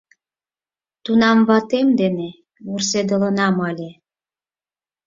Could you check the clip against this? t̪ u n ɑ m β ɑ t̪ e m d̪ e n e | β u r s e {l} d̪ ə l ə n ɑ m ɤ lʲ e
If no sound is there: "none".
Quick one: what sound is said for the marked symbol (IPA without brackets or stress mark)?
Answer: none